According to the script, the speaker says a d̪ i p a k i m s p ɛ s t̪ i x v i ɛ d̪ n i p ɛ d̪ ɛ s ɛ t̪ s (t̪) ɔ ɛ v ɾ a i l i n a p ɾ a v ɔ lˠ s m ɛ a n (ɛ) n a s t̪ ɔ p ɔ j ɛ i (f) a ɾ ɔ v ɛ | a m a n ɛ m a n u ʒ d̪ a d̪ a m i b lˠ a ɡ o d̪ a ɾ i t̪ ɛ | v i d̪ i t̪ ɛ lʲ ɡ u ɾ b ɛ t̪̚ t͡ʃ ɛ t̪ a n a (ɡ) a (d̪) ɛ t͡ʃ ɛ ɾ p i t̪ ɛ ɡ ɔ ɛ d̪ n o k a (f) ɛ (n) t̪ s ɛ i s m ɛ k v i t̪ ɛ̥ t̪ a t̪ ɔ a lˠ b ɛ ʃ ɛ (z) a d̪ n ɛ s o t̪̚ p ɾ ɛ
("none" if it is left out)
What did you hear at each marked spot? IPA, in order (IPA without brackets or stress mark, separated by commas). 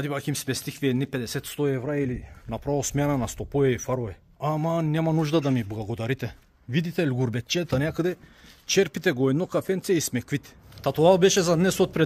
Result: t̪, a, f, k, d̪, f, n, z